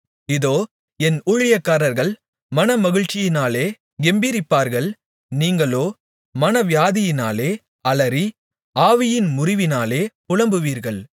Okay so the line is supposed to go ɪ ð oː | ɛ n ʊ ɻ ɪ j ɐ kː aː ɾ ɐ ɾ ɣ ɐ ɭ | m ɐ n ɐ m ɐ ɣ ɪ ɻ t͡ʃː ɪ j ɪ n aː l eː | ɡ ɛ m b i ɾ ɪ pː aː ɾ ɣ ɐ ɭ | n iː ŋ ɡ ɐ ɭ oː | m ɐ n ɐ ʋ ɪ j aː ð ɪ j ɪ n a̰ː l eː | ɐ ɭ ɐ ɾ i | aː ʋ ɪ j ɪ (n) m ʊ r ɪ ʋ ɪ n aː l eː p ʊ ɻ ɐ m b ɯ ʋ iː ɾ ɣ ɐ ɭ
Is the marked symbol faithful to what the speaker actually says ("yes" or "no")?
yes